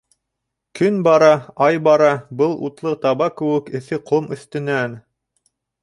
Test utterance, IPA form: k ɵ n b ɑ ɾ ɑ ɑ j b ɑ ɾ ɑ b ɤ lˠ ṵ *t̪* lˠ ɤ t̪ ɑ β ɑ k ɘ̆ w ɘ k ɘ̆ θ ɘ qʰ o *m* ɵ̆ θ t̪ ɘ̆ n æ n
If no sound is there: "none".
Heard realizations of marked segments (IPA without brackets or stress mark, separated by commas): t̪, m